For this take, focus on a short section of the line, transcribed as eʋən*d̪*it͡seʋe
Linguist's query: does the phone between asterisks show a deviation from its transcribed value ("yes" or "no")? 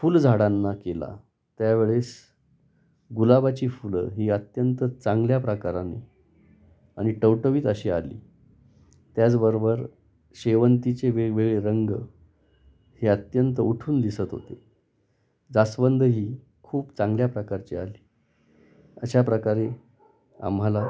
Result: yes